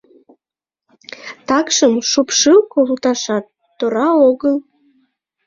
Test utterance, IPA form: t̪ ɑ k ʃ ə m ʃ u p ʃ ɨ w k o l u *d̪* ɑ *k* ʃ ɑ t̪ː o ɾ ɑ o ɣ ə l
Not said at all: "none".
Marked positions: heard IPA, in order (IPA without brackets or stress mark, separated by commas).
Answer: t̪, none